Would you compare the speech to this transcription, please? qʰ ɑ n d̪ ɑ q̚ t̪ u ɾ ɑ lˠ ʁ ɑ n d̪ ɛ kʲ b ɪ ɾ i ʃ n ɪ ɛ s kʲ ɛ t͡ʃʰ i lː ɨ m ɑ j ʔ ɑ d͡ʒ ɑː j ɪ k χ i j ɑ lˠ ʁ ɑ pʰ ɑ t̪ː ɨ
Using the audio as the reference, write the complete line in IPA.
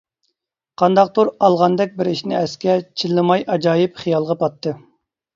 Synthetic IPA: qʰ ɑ n d̪ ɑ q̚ t̪ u ɾ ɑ lˠ ʁ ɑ n d̪ ɛ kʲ b ɪ ɾ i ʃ n ɪ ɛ s kʲ ɛ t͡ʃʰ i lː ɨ m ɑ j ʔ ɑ d͡ʒ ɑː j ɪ p χ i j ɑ lˠ ʁ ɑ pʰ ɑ t̪ː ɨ

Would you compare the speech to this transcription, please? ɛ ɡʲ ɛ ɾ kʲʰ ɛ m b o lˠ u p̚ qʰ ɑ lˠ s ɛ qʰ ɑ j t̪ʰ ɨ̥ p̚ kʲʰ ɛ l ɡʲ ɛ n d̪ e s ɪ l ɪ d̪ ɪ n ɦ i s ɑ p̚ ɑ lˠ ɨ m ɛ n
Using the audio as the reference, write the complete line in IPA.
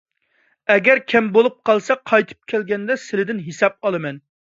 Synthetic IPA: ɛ ɡʲ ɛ ɾ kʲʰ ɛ m b o lˠ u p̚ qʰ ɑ lˠ s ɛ qʰ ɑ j t̪ʰ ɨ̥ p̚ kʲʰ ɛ l ɡʲ ɛ n d̪ ɛ s ɪ l ɪ d̪ ɪ n ɦ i s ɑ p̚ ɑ lˠ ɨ m ɛ n

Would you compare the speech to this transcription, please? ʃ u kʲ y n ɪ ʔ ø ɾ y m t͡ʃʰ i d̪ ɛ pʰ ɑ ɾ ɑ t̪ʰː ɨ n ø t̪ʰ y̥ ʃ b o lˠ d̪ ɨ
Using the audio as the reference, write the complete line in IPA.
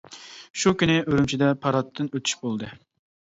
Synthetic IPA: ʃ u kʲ y n ɪ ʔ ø ɾ y m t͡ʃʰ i d̪ ɛ pʰ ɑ ɾ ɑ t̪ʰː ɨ n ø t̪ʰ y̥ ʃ b o lˠ d̪ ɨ

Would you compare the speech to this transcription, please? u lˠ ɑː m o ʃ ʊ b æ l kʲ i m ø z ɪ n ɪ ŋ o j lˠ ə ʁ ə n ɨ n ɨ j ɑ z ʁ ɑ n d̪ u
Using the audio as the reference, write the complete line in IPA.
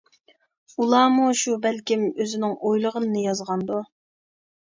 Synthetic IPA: u lˠ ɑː m u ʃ u b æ l kʲ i m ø z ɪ n ɪ ŋ o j lˠ ə ʁ ə n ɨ n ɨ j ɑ z ʁ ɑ n d̪ u

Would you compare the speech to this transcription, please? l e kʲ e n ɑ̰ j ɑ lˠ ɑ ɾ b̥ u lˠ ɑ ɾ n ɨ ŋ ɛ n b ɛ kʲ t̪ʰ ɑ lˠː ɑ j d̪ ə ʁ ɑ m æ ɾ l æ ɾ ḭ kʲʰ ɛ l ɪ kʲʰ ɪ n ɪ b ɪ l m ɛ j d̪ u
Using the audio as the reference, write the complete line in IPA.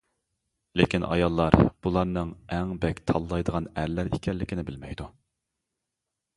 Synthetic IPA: l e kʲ i n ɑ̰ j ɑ lˠː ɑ ɾ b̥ u lˠ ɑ ɾ n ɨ ŋ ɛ ŋ b ɛ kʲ t̪ʰ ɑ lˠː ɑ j d̪ ə ʁ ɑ n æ ɾ l æ ɾ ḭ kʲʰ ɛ lː ɪ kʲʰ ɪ n ɪ b ɪ l m ɛ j d̪ u

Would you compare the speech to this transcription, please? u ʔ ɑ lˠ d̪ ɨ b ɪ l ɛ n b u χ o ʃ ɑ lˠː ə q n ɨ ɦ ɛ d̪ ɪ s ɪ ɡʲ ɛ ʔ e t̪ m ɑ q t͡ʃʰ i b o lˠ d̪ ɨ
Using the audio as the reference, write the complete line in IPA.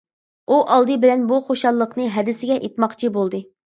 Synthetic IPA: u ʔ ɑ lˠ d̪ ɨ b ɪ l ɛ n b u χ o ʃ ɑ lˠː ə q n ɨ ɦ ɛ d̪ ɪ s ɪ ɡʲ ɛ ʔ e t̪ m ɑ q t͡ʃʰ i b o lˠ d̪ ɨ

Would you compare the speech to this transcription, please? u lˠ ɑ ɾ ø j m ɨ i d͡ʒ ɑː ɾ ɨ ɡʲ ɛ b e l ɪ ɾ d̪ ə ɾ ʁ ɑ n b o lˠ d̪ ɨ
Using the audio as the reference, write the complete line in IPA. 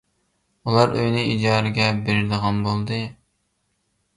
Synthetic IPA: u lˠ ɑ ɾ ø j n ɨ i d͡ʒ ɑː ɾ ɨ ɡʲ ɛ b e ɾ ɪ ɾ d̪ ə ʁ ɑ n b o lˠ d̪ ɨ

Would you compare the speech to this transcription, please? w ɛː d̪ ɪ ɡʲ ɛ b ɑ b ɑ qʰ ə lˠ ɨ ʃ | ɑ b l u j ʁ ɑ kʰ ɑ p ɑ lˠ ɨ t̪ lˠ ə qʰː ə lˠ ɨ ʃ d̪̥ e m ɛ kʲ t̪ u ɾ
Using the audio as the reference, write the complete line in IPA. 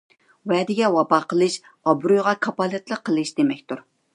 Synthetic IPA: w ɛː d̪ ɪ ɡʲ ɛ w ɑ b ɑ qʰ ə lˠ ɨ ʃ | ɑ b ɾ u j ʁ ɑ kʰ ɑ p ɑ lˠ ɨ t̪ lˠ ə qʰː ə lˠ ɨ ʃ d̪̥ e m ɛ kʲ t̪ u ɾ

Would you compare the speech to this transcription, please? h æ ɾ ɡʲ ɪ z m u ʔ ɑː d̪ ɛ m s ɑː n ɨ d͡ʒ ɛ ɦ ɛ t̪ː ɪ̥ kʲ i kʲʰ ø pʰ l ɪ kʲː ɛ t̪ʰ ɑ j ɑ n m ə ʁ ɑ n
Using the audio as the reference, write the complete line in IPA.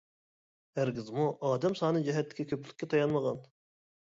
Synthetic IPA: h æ ɾ ɡʲ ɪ z m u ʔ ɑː d̪ ɛ m s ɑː n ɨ d͡ʒ ɛ ɦ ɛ t̪ː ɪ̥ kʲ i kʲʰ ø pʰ l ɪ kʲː ɛ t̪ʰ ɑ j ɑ n m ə ʁ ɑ n

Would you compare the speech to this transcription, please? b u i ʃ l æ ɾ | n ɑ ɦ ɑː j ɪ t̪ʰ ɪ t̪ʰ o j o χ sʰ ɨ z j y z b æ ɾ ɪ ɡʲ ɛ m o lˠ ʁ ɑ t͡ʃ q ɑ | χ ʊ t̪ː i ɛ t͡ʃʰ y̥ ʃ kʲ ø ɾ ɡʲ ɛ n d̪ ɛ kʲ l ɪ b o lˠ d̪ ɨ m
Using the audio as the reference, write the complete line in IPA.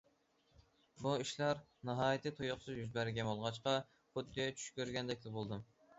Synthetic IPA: b u i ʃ l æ ɾ | n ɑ ɦ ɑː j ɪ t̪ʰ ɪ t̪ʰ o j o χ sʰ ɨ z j y z b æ ɾ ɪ ɡʲ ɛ m o lˠ ʁ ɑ t͡ʃ q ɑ | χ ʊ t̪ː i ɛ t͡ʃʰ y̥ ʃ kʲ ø ɾ ɡʲ ɛ n d̪ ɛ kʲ l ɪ b o lˠ d̪ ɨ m

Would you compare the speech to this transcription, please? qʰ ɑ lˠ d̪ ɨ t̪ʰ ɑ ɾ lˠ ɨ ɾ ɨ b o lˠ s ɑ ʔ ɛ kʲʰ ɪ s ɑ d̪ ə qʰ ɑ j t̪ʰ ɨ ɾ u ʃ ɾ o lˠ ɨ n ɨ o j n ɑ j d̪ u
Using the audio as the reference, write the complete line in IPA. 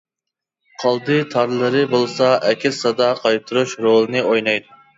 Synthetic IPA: qʰ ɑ lˠ d̪ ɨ t̪ʰ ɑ ɾ lˠ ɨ ɾ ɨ b o lˠ s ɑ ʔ ɛ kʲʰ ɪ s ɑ d̪ ɑ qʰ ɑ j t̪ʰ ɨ ɾ u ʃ ɾ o lˠ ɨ n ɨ o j n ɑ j d̪ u

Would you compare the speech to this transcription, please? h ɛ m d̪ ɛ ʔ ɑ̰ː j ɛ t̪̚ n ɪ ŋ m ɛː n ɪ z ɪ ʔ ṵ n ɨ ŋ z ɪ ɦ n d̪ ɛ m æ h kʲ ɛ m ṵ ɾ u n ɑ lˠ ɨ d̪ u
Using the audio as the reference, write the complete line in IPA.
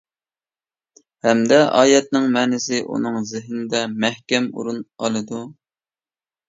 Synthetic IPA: h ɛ m d̪ ɛ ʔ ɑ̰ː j ɛ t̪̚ n ɪ ŋ m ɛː n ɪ s ɪ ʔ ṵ n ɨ ŋ z ɪ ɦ n d̪ ɛ m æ h kʲ ɛ m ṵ ɾ u n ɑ lˠ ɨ d̪ u

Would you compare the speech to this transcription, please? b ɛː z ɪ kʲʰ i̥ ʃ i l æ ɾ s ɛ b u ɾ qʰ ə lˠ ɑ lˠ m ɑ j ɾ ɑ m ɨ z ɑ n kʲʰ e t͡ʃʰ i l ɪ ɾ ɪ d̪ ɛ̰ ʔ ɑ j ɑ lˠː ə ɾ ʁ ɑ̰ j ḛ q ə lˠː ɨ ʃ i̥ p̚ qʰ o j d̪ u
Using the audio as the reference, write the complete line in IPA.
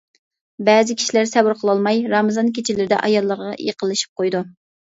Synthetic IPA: b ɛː z ɪ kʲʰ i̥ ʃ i l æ ɾ s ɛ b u ɾ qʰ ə lˠ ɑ lˠ m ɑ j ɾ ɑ m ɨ z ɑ n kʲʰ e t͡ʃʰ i l ɪ ɾ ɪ d̪ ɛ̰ ʔ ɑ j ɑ lˠː ə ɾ ʁ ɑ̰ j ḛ q ə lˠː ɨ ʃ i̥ p̚ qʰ o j d̪ u

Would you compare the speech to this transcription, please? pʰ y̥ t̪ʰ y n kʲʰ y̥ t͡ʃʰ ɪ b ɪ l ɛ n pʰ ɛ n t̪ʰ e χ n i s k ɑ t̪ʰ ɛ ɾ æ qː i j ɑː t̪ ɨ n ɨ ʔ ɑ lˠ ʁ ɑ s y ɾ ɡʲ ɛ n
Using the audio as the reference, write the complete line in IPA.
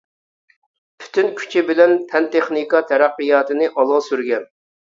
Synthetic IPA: pʰ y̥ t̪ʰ y n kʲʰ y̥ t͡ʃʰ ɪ b ɪ l ɛ n pʰ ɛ n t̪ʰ e χ n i k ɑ t̪ʰ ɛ ɾ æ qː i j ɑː t̪ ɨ n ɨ ʔ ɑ lˠ ʁ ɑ s y ɾ ɡʲ ɛ n

